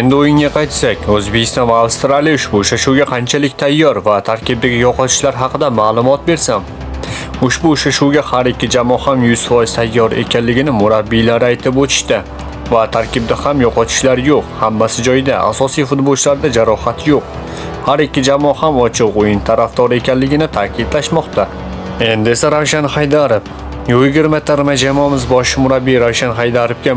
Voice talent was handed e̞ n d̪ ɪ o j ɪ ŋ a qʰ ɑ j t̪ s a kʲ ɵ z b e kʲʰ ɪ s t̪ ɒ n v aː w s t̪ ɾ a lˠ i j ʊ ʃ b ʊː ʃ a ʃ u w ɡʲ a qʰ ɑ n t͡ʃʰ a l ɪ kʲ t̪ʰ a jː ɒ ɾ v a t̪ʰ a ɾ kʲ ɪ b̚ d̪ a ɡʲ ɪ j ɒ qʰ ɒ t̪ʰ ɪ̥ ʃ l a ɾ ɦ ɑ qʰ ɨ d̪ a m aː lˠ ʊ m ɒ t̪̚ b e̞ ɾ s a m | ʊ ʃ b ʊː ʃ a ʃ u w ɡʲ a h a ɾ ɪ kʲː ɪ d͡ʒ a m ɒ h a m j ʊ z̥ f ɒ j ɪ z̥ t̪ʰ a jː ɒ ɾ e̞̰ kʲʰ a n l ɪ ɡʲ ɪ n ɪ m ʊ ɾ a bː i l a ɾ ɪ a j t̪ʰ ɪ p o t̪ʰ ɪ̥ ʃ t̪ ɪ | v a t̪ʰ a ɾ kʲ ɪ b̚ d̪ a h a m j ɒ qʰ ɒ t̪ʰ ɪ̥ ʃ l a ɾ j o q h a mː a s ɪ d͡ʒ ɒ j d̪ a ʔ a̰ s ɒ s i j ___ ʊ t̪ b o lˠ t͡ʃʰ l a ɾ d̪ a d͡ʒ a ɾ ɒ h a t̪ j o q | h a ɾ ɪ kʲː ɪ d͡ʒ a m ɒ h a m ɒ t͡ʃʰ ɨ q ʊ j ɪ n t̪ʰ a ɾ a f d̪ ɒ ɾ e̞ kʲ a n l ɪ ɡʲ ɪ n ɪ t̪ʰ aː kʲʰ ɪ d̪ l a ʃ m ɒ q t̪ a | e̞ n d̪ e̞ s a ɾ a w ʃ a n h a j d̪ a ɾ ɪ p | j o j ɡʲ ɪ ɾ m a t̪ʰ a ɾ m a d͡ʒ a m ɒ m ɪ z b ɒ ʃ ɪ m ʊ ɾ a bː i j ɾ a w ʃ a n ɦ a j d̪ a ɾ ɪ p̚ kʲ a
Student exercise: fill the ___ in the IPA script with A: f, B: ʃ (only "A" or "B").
A